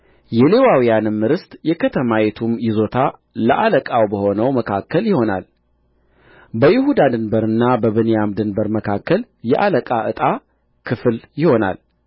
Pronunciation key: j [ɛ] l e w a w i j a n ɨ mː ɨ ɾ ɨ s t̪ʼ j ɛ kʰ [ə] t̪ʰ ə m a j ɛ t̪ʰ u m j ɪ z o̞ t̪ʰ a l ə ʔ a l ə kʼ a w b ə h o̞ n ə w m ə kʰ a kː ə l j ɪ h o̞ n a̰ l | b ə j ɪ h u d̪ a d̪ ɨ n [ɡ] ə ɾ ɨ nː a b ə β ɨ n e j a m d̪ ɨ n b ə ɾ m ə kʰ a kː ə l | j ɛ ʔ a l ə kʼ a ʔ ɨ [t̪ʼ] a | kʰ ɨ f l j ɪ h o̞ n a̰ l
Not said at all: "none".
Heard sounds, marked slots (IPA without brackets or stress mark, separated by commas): ɛ, ə, b, t̪ʼ